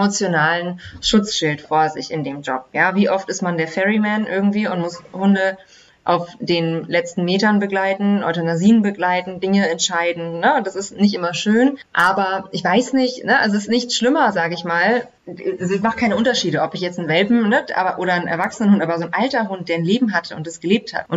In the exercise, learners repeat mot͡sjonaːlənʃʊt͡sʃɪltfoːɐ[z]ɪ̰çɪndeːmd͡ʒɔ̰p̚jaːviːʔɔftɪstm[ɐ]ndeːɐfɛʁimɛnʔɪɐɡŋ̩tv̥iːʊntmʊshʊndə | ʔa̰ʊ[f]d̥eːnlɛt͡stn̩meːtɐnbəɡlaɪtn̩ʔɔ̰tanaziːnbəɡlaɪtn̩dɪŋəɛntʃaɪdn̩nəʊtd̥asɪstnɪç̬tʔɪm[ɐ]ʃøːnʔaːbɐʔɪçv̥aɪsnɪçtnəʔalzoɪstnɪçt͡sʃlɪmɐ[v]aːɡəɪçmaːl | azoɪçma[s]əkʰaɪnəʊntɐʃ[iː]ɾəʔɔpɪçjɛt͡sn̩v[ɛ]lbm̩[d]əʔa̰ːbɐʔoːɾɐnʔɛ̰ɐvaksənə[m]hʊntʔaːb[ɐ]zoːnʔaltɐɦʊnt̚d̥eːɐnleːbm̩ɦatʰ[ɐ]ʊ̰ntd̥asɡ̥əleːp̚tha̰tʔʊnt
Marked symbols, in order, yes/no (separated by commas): yes, no, yes, yes, no, no, yes, yes, no, no, yes, no